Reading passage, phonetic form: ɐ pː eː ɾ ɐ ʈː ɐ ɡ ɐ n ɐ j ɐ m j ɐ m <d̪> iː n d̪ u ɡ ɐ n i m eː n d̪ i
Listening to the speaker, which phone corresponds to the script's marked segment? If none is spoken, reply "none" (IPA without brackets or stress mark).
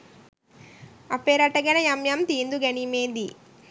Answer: t̪